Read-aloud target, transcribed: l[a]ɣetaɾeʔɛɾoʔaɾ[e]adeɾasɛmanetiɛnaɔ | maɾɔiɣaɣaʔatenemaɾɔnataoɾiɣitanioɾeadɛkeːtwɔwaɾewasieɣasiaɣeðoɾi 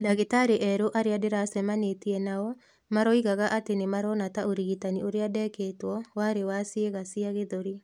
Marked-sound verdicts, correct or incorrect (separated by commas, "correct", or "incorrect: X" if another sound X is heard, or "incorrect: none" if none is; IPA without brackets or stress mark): correct, correct